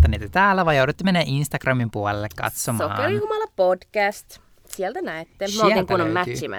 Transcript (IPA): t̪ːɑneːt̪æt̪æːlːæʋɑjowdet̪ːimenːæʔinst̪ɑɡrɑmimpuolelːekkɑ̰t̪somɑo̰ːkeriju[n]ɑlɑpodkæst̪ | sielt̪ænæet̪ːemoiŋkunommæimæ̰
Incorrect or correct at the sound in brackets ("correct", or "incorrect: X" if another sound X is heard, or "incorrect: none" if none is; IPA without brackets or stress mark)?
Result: incorrect: m